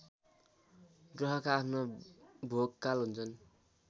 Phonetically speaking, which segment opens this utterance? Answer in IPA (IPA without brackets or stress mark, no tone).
ɡ